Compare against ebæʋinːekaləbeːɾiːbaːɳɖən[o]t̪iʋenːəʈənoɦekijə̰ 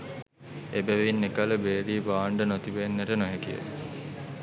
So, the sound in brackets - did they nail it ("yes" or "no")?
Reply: yes